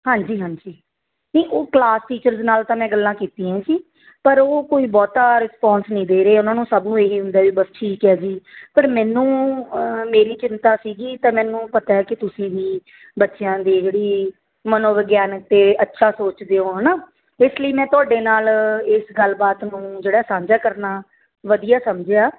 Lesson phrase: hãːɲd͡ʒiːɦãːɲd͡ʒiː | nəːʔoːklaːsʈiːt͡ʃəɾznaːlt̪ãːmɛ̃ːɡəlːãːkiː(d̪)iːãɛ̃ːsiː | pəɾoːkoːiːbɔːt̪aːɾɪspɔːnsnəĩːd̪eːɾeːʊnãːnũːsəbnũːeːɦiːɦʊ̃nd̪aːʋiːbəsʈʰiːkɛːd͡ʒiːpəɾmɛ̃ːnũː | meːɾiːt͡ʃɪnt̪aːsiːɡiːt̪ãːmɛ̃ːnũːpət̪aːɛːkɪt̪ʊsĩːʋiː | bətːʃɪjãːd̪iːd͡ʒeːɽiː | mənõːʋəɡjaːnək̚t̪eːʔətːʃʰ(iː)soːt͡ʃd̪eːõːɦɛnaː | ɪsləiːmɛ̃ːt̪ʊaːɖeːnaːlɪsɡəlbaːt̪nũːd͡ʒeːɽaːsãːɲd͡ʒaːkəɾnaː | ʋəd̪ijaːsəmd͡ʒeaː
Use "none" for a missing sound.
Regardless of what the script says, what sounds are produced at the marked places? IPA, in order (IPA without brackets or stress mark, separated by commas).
t̪, aː